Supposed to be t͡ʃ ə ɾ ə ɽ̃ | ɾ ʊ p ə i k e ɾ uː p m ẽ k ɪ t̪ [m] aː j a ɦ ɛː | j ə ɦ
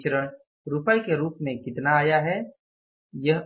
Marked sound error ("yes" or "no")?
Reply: yes